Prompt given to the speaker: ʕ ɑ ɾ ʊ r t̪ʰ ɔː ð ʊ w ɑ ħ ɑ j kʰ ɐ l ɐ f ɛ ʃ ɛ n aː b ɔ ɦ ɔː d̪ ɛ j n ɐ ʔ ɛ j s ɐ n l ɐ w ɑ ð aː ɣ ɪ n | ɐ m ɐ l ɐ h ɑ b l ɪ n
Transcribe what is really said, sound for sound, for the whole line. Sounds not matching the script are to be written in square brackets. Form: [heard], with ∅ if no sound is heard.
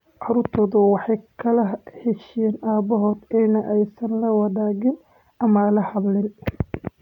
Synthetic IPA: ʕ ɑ ɾ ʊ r t̪ʰ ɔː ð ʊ w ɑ ħ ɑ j kʰ ɐ l ɐ [h] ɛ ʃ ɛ n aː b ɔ ɦ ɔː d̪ ɛ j n ɐ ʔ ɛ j s ɐ n l ɐ w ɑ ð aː ɣ ɪ n | ɐ m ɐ l ɐ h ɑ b l ɪ n